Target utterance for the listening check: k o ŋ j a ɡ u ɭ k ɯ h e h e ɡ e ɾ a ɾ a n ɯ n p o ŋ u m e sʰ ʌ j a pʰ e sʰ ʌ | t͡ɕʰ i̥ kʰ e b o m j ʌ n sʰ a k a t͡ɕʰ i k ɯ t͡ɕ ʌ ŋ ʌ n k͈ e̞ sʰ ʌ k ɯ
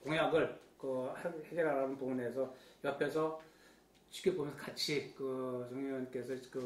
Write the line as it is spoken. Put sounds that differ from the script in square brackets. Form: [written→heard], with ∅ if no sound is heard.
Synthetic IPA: k o ŋ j a ɡ [u→ɯ] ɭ k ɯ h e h e ɡ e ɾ a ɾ a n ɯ n p o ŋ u [m→n] e sʰ ʌ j [a→ʌ] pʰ e sʰ ʌ | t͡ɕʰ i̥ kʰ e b o m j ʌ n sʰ [a→ʌ] k a t͡ɕʰ i k ɯ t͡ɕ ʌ ŋ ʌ n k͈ e̞ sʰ ʌ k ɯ